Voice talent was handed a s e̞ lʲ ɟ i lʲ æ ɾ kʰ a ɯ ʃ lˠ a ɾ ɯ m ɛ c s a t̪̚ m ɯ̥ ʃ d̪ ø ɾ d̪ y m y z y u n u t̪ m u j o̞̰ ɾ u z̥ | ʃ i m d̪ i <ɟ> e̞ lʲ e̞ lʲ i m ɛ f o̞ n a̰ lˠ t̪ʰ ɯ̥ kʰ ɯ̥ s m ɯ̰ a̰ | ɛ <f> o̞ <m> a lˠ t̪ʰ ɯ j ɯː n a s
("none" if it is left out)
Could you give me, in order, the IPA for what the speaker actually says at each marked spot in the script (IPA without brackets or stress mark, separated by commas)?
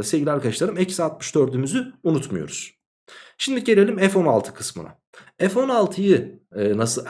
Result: ɟ, f, n